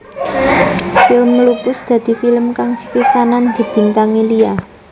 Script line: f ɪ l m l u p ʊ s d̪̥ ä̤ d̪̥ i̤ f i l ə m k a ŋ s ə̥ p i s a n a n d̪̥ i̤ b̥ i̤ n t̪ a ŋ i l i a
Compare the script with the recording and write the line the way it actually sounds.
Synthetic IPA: f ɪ l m l u p ʊ s d̪̥ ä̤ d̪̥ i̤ f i l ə m k a ŋ s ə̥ p i s a n a n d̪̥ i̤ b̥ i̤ n t̪ a ŋ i l i a